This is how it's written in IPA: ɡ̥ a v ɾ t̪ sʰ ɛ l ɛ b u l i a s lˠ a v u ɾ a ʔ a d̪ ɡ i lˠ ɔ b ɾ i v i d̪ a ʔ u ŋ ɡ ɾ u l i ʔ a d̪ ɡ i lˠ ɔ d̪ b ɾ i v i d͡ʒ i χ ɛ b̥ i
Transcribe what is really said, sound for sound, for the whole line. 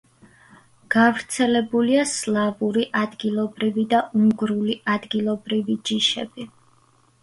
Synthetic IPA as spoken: ɡ̥ a v ɾ t̪ sʰ ɛ l ɛ b u l i a s lˠ a v u ɾ i ʔ a d̪ ɡ i lˠ ɔ b ɾ i v i d̪ a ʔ u ŋ ɡ ɾ u l i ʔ a d̪ ɡ i lˠ ɔ b ɾ i v i d͡ʒ i ʃ ɛ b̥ i